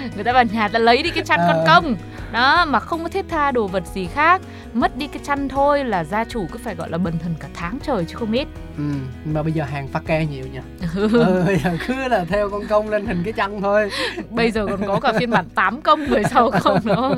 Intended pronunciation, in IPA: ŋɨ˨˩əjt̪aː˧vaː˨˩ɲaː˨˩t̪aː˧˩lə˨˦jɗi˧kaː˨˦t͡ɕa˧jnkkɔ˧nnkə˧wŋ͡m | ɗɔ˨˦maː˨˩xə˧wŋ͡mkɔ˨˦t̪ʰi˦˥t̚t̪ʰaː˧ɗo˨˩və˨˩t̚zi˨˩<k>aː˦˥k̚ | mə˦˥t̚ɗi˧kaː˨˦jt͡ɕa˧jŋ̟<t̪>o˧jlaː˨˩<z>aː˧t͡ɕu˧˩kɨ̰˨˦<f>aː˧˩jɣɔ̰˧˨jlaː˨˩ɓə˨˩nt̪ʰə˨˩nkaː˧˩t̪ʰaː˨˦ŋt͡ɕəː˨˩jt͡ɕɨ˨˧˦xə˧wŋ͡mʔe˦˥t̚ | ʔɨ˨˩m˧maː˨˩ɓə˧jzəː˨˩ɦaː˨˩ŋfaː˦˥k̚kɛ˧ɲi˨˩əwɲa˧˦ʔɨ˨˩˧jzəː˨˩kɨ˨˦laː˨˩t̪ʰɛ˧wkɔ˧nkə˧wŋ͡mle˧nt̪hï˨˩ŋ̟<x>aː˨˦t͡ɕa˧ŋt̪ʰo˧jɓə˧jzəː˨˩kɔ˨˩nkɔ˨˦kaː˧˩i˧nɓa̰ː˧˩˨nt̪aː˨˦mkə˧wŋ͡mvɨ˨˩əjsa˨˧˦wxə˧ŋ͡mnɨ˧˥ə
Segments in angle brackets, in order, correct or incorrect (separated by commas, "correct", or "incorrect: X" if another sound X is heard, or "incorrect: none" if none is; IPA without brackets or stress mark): incorrect: x, incorrect: t̪ʰ, correct, correct, incorrect: k